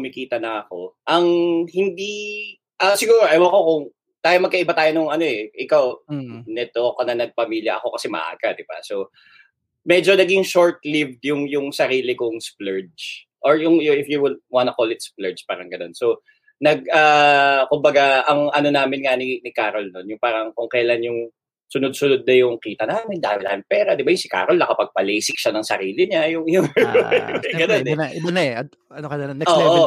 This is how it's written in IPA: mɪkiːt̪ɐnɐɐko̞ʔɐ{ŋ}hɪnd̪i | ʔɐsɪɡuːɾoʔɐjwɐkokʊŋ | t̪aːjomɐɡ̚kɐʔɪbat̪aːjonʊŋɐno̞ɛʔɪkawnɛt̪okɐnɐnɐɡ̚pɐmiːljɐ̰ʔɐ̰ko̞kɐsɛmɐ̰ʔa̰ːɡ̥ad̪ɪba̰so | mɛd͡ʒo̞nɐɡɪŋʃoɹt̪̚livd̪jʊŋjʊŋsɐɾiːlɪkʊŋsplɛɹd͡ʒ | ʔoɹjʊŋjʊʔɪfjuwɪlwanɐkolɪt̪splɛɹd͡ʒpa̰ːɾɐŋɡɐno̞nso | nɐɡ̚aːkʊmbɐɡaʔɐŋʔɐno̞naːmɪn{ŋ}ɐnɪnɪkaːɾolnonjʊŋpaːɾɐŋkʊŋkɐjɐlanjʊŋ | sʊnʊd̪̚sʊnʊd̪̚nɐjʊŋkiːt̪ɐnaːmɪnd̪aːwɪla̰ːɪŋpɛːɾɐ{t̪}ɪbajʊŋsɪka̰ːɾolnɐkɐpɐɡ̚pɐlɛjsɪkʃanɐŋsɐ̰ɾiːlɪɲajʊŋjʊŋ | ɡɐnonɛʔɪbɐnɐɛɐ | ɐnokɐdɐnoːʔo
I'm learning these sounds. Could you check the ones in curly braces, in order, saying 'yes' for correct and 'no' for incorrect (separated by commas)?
yes, yes, no